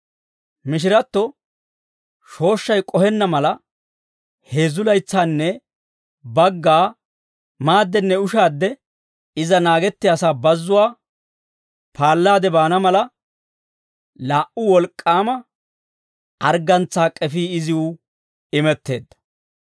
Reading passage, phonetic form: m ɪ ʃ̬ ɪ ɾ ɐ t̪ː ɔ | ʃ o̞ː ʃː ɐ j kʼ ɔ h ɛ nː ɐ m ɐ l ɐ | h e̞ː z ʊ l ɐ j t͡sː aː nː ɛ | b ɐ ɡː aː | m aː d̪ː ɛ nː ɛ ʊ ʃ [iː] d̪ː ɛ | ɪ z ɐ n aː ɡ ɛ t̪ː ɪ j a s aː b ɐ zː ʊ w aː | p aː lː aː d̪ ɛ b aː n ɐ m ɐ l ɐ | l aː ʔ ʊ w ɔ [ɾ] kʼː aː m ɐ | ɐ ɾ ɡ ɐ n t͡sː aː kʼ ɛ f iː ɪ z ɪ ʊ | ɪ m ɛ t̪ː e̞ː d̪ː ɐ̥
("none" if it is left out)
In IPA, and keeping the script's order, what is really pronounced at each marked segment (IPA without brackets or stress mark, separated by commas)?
aː, l